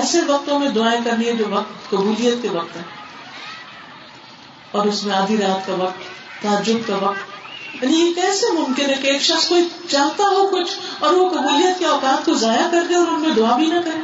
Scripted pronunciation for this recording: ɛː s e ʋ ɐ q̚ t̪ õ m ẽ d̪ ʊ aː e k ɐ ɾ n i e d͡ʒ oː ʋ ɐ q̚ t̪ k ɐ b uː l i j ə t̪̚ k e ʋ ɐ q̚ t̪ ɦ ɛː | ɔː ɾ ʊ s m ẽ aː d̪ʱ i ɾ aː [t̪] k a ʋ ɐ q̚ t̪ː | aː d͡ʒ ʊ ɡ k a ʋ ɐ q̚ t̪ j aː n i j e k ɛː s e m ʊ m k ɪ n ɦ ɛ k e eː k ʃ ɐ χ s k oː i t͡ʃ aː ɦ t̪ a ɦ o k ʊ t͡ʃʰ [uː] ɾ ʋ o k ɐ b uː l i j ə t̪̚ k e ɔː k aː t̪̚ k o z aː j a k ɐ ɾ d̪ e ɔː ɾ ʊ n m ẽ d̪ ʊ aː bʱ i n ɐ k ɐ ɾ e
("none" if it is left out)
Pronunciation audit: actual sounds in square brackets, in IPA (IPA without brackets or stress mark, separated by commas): t̪, ɔː